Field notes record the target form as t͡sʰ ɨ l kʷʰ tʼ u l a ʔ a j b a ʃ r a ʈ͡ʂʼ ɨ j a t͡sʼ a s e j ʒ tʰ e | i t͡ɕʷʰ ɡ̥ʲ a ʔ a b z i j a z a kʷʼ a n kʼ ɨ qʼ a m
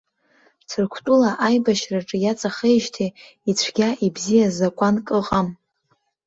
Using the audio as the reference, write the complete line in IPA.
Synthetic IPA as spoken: t͡sʰ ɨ r kʷʰ tʼ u l a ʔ a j b a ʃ r a ʈ͡ʂʼ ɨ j a t͡sʼ a χ e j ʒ tʰ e | i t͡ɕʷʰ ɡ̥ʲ a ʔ i b z i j a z a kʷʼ a n kʼ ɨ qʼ a m